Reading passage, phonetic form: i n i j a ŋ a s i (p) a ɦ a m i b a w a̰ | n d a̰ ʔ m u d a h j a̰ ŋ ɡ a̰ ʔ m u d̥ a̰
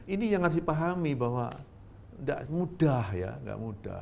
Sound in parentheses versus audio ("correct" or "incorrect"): correct